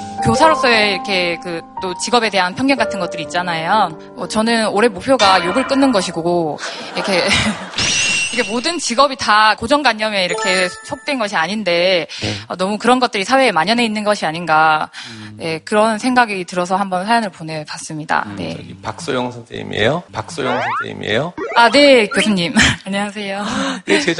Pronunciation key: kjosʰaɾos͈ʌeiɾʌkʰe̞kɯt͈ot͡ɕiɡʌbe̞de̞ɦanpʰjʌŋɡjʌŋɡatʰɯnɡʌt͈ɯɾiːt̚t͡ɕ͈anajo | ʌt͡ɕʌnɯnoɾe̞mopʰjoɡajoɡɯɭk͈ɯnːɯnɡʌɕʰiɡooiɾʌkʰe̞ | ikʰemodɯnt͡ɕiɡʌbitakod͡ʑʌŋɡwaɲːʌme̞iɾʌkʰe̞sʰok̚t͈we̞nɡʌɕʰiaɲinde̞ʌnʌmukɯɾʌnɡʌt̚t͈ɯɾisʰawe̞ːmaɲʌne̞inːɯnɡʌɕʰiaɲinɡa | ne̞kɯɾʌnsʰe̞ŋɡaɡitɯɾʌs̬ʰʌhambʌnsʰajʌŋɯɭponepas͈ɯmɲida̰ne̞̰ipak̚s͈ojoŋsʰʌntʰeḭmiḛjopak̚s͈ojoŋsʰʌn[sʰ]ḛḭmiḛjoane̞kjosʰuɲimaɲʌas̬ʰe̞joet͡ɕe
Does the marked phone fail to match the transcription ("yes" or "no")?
yes